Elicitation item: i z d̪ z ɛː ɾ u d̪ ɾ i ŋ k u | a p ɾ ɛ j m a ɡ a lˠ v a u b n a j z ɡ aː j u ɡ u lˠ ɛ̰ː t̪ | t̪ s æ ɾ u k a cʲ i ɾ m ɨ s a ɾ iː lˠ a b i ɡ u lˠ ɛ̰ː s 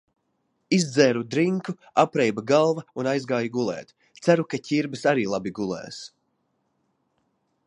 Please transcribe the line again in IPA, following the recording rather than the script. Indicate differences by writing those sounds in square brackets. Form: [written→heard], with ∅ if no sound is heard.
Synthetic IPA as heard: i z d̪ z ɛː ɾ u d̪ ɾ i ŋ k u | a p ɾ ɛ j [m→b] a ɡ a lˠ v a u [b→∅] n a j z ɡ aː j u ɡ u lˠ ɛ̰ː t̪ | t̪ s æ ɾ u k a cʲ i ɾ [m→b] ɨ s a ɾ iː lˠ a b i ɡ u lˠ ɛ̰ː s